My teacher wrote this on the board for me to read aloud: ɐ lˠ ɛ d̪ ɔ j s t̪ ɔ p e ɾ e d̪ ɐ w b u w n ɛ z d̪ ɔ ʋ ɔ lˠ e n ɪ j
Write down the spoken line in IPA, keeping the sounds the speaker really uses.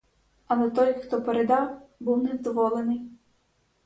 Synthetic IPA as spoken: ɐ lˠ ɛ t̪ ɔ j x t̪ ɔ p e ɾ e d̪ ɑ w b u w n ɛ z d̪ ɔ ʋ ɔ lˠ e n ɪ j